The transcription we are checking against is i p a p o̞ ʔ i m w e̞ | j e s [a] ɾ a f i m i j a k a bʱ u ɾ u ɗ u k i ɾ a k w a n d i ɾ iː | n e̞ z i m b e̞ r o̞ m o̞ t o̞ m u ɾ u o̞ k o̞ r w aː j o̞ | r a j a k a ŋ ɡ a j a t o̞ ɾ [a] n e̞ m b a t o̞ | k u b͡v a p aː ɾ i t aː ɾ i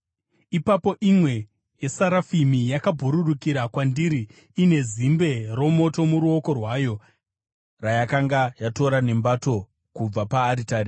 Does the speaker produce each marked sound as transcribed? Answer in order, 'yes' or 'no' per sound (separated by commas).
yes, yes